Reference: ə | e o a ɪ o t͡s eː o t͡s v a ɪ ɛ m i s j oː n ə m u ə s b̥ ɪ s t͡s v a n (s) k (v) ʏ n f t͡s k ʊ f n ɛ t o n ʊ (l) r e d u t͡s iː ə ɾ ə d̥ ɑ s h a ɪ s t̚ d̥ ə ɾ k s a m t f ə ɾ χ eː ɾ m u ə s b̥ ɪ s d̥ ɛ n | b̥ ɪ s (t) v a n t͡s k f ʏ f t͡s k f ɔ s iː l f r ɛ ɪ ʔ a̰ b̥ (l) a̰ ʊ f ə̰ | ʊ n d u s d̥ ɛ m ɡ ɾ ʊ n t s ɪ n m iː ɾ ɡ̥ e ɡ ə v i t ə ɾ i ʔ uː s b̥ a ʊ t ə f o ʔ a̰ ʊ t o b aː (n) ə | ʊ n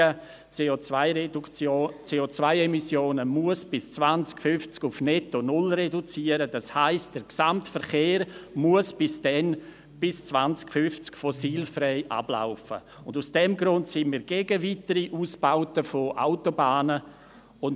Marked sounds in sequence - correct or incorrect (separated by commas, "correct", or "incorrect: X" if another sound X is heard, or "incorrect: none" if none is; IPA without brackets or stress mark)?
incorrect: t͡s, incorrect: f, correct, incorrect: t͡s, correct, correct